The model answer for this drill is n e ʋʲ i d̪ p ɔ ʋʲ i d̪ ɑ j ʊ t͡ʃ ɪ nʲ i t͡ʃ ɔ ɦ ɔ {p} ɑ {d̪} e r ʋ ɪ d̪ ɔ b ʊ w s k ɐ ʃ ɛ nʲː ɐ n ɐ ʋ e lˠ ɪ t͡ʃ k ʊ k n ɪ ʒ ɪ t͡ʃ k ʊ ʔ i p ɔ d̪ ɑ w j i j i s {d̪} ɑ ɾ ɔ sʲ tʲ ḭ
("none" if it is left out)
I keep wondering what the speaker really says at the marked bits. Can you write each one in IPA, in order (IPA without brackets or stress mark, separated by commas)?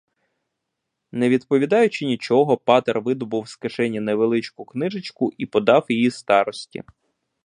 p, t̪, t̪